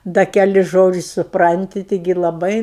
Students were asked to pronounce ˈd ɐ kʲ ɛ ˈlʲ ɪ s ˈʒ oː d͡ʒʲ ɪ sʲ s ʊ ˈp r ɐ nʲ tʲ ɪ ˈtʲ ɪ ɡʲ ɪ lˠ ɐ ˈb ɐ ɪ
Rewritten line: ˈd ɐ kʲ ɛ ˈlʲ ɪ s ˈʒ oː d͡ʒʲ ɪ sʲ s ʊ ˈp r ɐ nʲ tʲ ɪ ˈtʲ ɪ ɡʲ ɪ lˠ ɐ ˈb ɐ ɪ